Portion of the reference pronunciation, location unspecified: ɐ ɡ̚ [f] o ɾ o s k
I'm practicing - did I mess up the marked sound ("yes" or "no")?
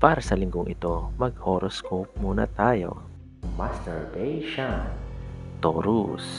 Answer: yes